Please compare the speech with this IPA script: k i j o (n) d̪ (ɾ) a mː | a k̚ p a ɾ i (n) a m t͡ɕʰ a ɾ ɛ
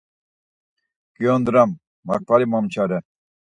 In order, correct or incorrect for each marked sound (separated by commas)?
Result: correct, correct, incorrect